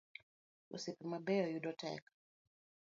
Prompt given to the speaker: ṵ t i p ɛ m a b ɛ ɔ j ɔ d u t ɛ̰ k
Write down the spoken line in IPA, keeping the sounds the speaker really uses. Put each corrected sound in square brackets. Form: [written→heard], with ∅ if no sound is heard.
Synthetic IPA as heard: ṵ [t→s] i p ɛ m a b ɛ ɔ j [ɔ→u] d [u→ɔ] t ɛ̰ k